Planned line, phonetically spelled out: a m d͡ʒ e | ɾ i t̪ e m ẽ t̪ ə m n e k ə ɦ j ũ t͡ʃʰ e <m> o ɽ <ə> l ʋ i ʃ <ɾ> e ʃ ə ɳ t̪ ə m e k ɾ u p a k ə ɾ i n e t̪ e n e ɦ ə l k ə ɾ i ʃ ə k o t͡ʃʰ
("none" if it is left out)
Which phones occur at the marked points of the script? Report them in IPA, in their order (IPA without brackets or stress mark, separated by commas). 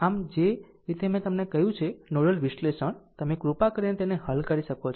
n, ə, l